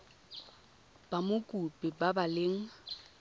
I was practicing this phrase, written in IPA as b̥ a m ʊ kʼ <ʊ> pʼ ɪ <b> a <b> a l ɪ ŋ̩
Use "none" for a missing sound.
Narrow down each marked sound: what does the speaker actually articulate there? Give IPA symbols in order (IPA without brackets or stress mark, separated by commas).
u, b, b